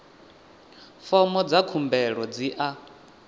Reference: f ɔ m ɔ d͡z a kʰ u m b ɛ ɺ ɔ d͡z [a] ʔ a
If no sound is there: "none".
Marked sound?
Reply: i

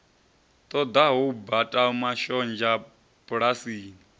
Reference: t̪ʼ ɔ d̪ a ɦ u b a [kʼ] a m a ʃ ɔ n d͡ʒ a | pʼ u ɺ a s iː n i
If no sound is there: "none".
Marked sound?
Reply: tʼ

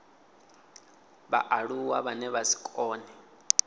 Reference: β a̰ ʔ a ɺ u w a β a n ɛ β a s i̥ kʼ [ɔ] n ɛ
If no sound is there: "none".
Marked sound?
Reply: ɔː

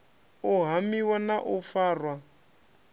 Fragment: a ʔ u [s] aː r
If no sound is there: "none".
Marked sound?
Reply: f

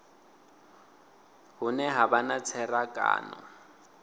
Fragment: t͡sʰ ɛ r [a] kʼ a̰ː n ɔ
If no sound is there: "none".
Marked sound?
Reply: a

